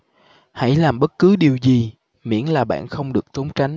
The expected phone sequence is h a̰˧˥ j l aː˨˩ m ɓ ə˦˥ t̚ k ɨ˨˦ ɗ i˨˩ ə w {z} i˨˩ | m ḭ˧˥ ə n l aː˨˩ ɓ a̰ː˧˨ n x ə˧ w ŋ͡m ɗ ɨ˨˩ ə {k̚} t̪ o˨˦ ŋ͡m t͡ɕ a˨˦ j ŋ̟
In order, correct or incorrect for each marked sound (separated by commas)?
correct, correct